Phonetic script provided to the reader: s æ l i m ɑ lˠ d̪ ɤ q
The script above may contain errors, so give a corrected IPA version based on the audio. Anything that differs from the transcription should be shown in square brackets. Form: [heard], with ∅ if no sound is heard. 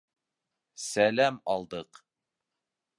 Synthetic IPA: s æ l [æ] m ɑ lˠ d̪ ɤ q